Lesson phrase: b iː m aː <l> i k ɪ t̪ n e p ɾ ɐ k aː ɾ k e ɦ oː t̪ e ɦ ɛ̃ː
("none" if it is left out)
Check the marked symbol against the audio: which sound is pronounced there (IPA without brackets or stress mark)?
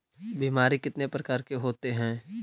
ɾ